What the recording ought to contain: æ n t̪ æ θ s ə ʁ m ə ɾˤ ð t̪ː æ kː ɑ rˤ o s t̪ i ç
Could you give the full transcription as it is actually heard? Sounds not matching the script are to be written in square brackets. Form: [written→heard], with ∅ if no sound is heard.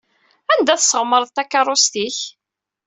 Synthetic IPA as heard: æ n [t̪→d̪] æ θ s ə ʁ m ə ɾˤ ð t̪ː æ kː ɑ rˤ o s t̪ i ç